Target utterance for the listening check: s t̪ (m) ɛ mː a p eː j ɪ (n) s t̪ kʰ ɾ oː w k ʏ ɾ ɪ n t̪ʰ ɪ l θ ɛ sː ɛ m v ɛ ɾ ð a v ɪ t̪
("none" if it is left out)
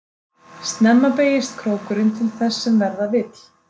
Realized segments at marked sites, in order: n, none

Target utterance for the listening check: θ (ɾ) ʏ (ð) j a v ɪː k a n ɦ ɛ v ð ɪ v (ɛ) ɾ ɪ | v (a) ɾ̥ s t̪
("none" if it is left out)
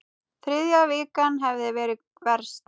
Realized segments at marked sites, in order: ɾ, ð, ɛː, ɛ

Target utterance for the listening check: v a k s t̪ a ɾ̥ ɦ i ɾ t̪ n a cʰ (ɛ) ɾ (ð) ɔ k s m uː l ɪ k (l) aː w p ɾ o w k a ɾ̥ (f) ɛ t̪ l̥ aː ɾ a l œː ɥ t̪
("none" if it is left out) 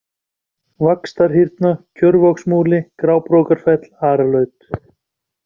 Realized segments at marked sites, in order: œ, v, ɾ, f

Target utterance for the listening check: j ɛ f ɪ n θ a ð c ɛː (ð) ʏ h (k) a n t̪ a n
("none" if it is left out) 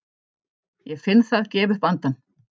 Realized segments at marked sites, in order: v, p

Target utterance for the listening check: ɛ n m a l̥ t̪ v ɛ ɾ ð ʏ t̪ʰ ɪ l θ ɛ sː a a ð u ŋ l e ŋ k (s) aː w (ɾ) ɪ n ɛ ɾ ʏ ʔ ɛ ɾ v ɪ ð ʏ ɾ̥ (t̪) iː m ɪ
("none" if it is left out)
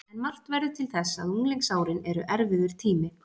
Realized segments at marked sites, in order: s, ɾ, t̪ʰ

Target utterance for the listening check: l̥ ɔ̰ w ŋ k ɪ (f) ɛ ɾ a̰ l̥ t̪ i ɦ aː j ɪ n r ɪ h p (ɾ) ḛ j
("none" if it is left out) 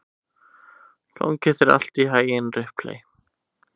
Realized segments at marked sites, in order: θ, l

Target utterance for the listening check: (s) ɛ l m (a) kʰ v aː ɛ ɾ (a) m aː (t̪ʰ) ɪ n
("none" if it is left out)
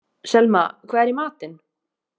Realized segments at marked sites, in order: s, a, i, t̪

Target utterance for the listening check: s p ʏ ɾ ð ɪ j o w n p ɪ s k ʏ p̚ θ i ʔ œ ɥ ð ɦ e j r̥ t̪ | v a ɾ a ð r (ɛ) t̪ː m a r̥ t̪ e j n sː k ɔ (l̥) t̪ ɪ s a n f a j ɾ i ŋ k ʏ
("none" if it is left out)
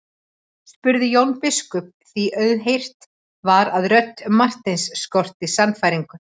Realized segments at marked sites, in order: œ, r̥

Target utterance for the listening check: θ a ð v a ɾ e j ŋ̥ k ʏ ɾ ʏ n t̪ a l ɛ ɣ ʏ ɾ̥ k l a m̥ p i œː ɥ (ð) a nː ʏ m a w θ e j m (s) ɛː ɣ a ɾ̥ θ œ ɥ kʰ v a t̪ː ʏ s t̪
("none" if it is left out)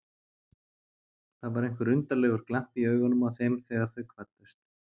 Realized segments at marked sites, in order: ɣ, θ

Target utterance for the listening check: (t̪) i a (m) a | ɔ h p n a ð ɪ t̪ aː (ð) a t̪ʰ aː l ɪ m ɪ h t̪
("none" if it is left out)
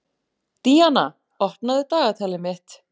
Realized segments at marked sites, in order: t̪, n, ɣ

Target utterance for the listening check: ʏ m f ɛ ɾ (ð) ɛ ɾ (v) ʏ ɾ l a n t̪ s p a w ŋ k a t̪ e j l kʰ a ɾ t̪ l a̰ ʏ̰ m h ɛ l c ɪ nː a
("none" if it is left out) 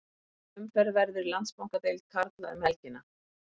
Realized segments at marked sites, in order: v, ð

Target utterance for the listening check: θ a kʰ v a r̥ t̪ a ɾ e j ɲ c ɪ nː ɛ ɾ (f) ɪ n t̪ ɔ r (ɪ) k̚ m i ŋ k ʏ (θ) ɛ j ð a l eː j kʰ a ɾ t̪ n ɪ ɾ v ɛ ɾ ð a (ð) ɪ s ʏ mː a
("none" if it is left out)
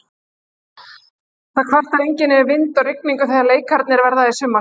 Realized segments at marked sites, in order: v, ɪ, θ, ð

